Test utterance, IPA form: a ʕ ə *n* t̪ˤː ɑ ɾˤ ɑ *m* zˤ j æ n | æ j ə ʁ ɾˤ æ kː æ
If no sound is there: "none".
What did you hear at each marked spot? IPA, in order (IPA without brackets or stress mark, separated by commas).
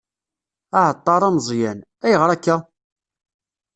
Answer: none, m